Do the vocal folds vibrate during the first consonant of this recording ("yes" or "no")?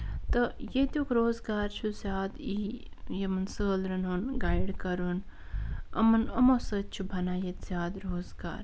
no